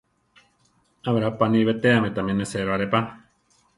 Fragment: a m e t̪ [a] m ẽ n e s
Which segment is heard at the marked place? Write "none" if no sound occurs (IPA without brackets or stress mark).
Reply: a